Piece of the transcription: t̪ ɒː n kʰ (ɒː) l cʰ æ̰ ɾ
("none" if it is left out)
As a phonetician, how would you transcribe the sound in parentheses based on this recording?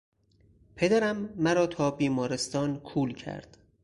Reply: uː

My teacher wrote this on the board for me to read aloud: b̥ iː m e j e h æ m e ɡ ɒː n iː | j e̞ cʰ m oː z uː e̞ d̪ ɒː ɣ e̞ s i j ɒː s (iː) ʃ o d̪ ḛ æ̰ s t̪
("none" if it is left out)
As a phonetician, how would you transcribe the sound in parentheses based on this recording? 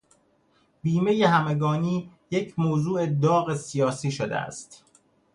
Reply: iː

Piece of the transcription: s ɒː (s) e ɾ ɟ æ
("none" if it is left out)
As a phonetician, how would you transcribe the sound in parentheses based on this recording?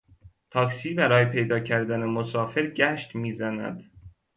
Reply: f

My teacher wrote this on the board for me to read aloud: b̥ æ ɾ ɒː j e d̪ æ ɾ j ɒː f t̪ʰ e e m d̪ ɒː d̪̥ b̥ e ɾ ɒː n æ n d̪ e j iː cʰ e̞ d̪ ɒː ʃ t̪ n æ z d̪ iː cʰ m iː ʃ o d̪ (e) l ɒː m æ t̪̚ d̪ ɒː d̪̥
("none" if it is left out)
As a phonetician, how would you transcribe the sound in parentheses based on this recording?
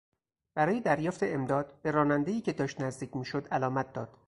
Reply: æ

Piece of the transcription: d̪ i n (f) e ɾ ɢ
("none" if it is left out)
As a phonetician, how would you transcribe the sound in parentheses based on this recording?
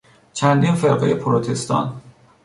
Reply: f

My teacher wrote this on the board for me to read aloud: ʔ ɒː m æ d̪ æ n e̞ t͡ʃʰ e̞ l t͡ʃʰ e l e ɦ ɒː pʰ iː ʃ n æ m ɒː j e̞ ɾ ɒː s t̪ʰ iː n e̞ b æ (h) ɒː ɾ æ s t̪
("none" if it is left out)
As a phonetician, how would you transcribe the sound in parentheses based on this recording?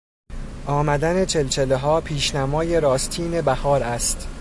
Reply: h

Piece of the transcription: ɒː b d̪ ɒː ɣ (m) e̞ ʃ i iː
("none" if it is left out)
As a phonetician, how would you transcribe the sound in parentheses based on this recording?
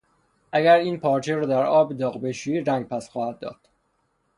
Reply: b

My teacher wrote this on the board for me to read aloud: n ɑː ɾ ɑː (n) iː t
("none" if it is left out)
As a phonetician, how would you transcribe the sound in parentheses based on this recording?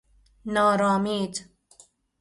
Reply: m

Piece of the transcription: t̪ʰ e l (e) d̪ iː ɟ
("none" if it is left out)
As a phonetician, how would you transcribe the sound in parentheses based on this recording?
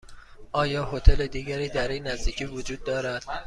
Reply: e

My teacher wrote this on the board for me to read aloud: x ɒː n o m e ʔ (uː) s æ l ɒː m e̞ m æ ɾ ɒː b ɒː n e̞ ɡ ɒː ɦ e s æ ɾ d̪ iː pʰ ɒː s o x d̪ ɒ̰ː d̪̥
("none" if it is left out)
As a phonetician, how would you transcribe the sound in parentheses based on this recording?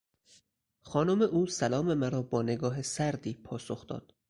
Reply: uː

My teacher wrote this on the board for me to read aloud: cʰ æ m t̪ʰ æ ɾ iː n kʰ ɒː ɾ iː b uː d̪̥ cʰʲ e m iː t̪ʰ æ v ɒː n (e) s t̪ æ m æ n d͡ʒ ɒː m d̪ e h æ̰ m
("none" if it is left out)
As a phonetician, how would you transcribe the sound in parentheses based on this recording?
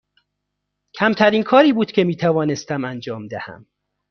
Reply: e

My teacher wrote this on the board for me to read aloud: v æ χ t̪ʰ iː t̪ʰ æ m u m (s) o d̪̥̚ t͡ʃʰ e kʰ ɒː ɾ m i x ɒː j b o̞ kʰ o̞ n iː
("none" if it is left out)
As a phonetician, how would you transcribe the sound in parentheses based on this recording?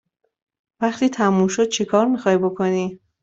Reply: ʃ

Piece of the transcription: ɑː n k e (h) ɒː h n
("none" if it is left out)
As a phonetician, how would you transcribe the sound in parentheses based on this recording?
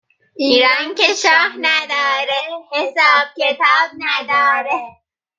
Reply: ʃ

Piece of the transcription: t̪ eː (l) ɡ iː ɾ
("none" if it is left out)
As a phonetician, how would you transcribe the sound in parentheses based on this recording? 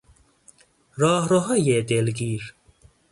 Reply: l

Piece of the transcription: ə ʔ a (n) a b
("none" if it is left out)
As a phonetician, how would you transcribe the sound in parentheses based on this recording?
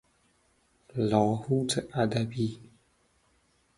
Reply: d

